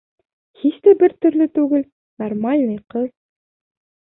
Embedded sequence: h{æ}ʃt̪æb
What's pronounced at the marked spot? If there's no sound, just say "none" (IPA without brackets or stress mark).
i